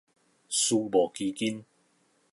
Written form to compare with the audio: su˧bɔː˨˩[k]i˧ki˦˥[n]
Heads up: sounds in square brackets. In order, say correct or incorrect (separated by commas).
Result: correct, correct